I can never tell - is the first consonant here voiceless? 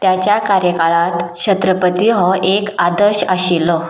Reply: yes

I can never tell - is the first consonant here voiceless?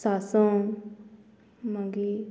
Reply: yes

